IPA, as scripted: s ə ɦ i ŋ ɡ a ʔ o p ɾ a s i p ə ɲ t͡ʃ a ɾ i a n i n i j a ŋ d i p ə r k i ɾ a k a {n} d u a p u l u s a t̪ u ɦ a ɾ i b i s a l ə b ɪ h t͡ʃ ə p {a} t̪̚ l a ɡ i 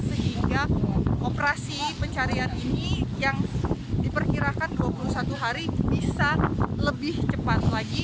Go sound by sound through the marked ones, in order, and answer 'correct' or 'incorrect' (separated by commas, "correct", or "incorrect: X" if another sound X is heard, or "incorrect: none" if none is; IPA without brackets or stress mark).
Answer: correct, correct